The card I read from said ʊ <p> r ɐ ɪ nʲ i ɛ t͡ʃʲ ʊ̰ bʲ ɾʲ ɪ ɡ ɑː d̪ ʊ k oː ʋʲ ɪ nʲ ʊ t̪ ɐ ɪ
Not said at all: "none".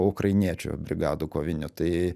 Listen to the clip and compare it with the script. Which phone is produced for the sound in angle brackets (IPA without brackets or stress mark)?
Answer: k